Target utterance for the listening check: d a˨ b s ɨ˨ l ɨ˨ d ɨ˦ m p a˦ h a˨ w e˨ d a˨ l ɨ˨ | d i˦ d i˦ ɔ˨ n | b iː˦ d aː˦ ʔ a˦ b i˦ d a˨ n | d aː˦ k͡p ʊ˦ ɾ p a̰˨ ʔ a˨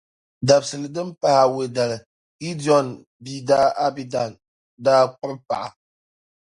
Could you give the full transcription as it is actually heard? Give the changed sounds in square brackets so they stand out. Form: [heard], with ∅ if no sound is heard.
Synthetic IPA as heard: d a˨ b s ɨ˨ l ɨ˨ d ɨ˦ m p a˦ h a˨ w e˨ d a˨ l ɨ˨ | [ɡ] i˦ d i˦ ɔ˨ n | b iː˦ d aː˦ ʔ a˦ b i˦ d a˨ n | d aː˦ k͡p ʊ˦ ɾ p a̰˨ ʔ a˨